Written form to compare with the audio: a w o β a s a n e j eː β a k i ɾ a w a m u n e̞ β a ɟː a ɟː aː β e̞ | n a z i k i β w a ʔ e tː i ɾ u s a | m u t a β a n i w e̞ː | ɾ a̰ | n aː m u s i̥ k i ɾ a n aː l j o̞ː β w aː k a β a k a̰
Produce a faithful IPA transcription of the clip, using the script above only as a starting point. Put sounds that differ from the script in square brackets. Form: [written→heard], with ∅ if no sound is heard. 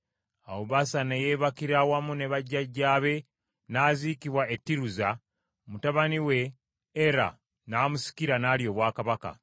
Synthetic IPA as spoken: a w o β a s a n e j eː β a k i ɾ a w a m u n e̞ β a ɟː a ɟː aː β e̞ | n a z i k i β w a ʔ e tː i ɾ u [s→z] a | m u t a β a n i w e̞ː | ɾ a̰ | n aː m u s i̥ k i ɾ a n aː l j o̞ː β w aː k a β a k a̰